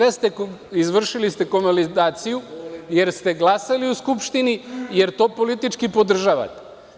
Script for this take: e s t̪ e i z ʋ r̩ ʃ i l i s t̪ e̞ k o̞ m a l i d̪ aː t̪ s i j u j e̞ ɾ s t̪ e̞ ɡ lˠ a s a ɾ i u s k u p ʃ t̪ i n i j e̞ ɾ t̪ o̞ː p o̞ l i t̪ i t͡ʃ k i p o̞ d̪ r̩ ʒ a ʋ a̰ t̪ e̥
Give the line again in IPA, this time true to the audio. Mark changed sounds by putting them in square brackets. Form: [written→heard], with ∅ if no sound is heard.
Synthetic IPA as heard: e s t̪ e i z ʋ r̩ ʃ i l i s t̪ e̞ k o̞ m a l i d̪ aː t̪ s i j u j e̞ ɾ s t̪ e̞ ɡ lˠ a s a [ɾ→l] i u s k u p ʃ t̪ i n i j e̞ ɾ t̪ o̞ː p o̞ l i t̪ i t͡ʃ k i p o̞ d̪ r̩ ʒ a ʋ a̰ t̪ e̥